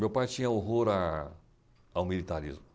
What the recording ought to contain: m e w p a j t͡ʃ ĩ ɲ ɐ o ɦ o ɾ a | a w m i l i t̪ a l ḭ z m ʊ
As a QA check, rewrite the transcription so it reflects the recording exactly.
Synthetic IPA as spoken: m e w p a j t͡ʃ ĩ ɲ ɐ o ɦ o ɾ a | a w m i l i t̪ a ɾ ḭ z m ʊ